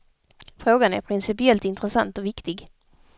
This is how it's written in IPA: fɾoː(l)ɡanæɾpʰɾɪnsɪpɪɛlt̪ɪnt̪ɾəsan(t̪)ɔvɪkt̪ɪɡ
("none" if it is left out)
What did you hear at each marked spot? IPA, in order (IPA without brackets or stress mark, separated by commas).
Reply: none, t̪